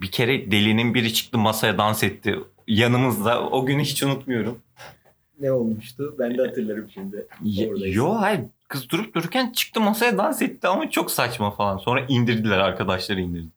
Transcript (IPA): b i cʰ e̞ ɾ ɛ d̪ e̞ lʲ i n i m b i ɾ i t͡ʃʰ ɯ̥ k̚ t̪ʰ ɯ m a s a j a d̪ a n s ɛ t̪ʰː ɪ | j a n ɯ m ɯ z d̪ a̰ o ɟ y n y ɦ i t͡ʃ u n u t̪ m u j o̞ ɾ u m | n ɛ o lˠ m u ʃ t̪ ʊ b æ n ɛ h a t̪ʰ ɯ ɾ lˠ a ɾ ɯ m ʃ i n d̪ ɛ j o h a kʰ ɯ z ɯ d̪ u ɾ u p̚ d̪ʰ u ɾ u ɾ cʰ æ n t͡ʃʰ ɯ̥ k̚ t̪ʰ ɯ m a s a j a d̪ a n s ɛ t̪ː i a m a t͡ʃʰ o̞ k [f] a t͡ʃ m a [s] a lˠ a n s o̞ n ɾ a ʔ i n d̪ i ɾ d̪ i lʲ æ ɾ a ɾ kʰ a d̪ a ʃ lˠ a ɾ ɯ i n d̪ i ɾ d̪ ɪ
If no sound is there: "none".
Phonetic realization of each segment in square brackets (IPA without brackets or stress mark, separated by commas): s, f